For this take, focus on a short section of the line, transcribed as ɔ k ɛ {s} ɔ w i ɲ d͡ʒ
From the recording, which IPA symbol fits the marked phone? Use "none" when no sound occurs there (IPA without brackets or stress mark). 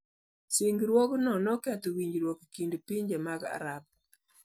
t